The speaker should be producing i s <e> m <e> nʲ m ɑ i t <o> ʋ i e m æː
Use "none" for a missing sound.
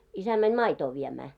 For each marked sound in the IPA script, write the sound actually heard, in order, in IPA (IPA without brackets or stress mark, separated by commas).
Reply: æ, æ, oː